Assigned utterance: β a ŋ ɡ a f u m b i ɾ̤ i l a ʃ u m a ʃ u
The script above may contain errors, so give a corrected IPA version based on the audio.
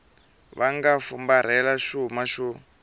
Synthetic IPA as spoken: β a ŋ ɡ a f u m b a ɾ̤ ɛ l a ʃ u m a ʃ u

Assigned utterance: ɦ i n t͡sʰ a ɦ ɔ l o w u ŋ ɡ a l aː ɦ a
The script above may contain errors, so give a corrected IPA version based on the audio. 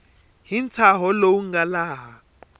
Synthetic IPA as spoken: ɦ i n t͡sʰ a ɦ ɔ l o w u ŋ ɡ a l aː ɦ a

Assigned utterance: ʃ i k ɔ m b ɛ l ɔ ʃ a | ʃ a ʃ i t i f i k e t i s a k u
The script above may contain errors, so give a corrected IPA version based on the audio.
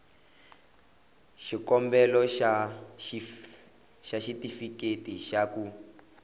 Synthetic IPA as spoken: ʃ i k ɔ m b ɛ l ɔ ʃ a | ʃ a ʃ i t i f i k e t i ʃ a k u

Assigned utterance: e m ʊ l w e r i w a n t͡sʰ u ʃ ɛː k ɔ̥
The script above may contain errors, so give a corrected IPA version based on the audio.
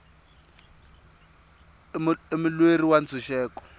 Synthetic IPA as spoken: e m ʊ l w e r i w a n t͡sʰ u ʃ ɛː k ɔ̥

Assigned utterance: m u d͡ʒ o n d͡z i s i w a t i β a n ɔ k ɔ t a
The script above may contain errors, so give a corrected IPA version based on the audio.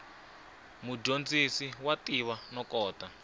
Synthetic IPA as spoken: m u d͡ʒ o n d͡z i s i w a t i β a n ɔ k ɔː t a

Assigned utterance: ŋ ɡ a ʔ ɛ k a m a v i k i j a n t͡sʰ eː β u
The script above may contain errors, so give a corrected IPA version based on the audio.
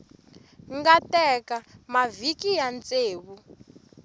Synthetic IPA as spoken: ŋ ɡ a t ɛ k a m a v i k i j a n t͡s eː β u

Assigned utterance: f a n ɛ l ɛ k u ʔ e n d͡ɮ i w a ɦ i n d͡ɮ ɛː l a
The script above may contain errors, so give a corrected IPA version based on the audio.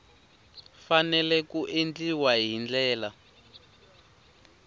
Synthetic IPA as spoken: f a n ɛ l ɛ k u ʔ e n d͡ɮ i w a ɦ i n d͡ɮ ɛː l a

